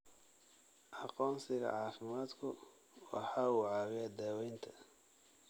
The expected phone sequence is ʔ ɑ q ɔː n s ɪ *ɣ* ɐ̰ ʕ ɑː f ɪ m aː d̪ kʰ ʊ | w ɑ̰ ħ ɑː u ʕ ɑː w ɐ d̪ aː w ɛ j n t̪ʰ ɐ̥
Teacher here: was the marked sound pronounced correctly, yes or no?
yes